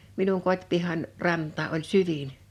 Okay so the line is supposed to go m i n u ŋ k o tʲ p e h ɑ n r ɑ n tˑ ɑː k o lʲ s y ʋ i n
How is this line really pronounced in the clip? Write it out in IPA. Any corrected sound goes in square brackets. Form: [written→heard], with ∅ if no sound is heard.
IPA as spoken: m i n u ŋ k o tʲ p [e→i] h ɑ n r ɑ n tˑ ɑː [k→ʔ] o lʲ s y ʋ i n